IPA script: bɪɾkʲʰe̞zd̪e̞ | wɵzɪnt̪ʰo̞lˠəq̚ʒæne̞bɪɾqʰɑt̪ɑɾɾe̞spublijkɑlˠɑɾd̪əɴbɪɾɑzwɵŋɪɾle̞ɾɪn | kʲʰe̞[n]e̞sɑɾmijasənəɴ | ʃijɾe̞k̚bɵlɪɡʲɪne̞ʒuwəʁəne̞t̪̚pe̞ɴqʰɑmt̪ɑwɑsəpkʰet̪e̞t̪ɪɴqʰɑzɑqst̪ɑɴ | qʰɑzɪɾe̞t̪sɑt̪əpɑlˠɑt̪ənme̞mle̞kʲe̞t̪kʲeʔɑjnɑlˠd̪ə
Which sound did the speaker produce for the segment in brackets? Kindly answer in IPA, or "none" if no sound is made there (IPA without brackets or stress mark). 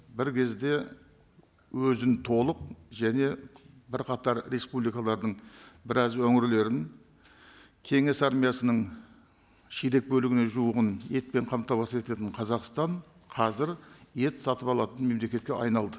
ŋ